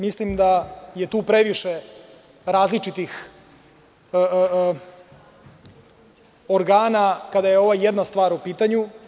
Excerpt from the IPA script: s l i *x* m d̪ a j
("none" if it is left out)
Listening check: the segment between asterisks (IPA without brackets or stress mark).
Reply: none